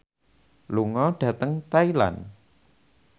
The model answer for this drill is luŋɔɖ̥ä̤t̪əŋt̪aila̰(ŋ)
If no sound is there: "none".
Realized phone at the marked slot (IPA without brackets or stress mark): n